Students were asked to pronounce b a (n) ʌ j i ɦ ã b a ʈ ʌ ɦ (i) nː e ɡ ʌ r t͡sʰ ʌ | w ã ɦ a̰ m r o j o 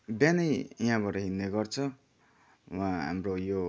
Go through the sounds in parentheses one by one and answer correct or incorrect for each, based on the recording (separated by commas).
correct, correct